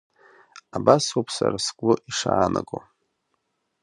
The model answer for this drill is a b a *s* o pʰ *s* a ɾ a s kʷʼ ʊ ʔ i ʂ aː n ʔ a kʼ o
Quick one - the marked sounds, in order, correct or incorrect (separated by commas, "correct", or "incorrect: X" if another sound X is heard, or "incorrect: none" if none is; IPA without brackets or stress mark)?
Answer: correct, correct